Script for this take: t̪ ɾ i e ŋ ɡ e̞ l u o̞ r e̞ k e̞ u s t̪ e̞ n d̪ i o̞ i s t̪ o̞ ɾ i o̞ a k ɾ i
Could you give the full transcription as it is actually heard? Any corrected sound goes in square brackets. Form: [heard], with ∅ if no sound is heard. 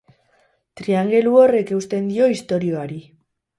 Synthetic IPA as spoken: t̪ ɾ i [a] ŋ ɡ e̞ l u o̞ r e̞ k e̞ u s t̪ e̞ n d̪ i o̞ i s t̪ o̞ ɾ i o̞ a [∅] ɾ i